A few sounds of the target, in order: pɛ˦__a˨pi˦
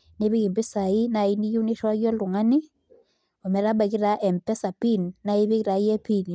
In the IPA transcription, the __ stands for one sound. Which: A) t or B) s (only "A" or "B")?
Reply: B